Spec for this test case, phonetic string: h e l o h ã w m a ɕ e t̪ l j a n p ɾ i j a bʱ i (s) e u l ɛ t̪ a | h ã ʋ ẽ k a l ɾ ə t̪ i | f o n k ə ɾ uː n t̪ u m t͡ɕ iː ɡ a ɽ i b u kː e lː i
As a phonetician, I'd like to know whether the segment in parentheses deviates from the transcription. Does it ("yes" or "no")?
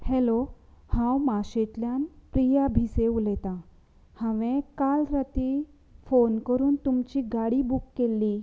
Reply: no